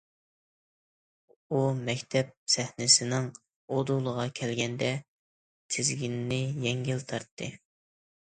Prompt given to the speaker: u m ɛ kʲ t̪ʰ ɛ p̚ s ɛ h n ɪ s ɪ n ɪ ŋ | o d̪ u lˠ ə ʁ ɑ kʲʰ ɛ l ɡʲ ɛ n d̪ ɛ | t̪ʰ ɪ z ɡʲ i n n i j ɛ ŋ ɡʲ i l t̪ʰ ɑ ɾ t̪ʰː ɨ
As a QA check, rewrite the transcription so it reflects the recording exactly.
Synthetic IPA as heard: u m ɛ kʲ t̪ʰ ɛ p̚ s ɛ h n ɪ s ɪ n ɪ ŋ | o d̪ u lˠ ə ʁ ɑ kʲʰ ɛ l ɡʲ ɛ n d̪ ɛ | t̪ʰ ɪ z ɡʲ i n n ɪ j ɛ ŋ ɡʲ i l t̪ʰ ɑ ɾ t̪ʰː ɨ

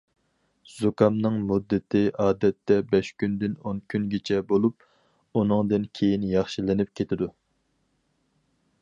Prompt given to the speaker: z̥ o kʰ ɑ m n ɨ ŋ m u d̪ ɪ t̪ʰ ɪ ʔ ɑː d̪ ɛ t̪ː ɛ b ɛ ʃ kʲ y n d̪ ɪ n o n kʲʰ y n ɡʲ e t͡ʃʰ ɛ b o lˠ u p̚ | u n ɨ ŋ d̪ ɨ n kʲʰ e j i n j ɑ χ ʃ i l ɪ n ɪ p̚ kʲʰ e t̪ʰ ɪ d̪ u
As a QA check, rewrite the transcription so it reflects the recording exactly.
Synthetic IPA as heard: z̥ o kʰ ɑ m n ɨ ŋ m u d̪ː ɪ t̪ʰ ɪ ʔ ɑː d̪ ɛ t̪ː ɛ b ɛ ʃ kʲ y n d̪ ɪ n o n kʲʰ y n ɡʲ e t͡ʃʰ ɛ b o lˠ u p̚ | u n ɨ ŋ d̪ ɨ n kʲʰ e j i n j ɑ χ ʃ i l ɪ n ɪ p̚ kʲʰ e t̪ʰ ɪ d̪ u

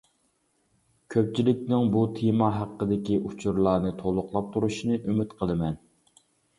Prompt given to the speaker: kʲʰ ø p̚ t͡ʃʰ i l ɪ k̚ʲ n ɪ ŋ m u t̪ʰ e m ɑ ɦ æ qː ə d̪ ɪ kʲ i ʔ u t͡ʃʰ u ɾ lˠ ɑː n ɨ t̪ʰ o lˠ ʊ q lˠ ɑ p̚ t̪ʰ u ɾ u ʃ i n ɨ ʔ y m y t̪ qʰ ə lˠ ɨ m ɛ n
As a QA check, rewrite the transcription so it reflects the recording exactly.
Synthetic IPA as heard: kʲʰ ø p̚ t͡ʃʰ i l ɪ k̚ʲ n ɪ ŋ b u t̪ʰ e m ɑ ɦ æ qː ə d̪ ɪ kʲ i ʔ u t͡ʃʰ u ɾ lˠ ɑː n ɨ t̪ʰ o lˠ ʊ q lˠ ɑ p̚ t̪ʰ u ɾ u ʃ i n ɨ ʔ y m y t̪ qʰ ə lˠ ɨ m ɛ n

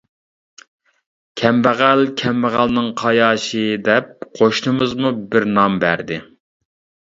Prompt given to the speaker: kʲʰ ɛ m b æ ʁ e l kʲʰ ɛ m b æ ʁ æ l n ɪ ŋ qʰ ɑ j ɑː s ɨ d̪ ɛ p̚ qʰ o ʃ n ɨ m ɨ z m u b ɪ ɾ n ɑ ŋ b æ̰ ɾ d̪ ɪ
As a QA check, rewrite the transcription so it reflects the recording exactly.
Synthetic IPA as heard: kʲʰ ɛ m b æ ʁ æ l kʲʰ ɛ m b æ ʁ æ l n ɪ ŋ qʰ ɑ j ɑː ʃ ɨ d̪ ɛ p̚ qʰ o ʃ n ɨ m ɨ z m u b ɪ ɾ n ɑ m b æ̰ ɾ d̪ ɪ

